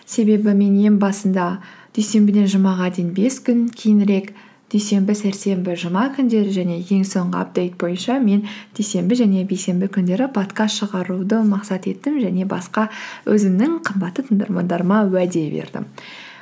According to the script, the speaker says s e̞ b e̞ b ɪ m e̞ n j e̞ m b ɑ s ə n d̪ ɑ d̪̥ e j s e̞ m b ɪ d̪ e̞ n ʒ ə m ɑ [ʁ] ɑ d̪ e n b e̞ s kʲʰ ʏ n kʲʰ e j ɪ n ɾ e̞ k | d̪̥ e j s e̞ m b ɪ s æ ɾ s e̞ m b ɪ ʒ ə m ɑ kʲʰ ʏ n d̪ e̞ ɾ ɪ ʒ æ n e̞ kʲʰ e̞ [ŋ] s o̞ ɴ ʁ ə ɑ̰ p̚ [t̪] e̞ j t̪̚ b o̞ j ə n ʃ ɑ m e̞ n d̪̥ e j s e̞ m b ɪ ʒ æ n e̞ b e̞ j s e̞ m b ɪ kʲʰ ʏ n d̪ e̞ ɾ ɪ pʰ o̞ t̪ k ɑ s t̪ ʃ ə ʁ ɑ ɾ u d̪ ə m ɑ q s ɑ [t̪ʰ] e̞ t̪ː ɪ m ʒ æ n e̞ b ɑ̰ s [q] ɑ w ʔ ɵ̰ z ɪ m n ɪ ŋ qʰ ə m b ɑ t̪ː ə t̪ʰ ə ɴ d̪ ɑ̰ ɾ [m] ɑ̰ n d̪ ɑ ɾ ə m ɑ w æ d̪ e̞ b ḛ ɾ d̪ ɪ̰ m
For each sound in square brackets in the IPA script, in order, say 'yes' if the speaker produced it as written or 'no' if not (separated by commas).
yes, yes, no, no, yes, yes